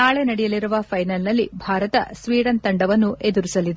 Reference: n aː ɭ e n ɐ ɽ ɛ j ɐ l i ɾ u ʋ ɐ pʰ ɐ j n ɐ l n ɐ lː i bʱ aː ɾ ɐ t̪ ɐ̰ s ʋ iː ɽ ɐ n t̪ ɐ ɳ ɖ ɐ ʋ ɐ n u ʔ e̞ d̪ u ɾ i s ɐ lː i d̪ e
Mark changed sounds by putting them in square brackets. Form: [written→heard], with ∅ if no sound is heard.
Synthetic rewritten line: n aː ɭ e n ɐ ɽ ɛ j ɐ l i ɾ u ʋ ɐ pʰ ɐ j n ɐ l n ɐ lː i bʱ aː ɾ ɐ t̪ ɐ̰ s ʋ iː ɽ ɐ n t̪ ɐ ɳ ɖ ɐ ʋ ɐ [n→nː] u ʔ e̞ d̪ u ɾ i s ɐ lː i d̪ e